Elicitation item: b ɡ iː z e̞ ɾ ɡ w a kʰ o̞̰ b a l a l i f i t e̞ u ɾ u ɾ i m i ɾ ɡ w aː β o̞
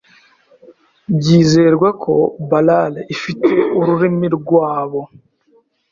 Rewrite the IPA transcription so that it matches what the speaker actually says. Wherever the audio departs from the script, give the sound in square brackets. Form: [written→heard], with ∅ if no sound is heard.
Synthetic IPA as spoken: b [ɡ→ɟ] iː z e̞ ɾ ɡ w a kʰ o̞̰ b a l a l i f i t e̞ u ɾ u ɾ i m i ɾ ɡ w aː β o̞